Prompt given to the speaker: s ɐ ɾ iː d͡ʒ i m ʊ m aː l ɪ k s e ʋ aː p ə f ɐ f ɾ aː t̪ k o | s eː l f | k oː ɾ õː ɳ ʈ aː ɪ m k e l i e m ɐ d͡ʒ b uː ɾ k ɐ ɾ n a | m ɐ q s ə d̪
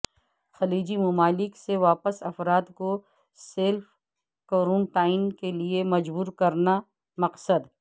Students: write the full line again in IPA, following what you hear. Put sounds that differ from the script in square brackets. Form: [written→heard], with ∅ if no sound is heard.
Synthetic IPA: [s→x] ɐ [ɾ→l] iː d͡ʒ i m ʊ m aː l ɪ k s e ʋ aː p ə [f→s] ɐ f ɾ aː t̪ k o | s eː l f | k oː ɾ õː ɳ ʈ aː ɪ [m→n] k e l i e m ɐ d͡ʒ b uː ɾ k ɐ ɾ n a | m ɐ q s ə d̪